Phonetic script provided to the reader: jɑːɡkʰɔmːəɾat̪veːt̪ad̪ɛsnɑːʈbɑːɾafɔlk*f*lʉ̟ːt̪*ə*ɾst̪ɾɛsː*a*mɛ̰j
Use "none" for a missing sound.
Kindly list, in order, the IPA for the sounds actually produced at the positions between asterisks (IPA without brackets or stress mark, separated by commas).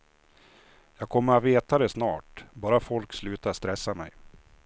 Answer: s, a, a